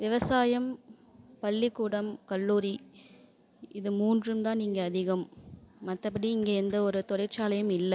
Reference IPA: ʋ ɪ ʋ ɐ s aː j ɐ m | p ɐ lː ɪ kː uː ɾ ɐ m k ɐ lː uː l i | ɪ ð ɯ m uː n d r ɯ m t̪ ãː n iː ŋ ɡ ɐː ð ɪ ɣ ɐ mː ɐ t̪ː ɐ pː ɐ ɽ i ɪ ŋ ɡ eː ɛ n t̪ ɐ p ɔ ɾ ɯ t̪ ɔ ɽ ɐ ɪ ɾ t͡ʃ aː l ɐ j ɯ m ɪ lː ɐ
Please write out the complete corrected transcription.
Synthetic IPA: ʋ ɪ ʋ ɐ s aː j ɐ m | p ɐ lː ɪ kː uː ɽ ɐ m k ɐ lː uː ɾ i | ɪ ð ɯ m uː n d r ɯ m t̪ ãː n iː ŋ ɡ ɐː ð ɪ ɣ ɐ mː ɐ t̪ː ɐ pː ɐ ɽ i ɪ ŋ ɡ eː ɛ n d̪ ɐ ɔ ɾ ɯ t̪ ɔ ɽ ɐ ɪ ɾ t͡ʃ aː l ɐ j ɯ m ɪ lː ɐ